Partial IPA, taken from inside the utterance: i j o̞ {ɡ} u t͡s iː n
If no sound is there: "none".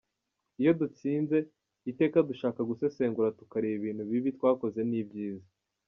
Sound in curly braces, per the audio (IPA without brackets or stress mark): d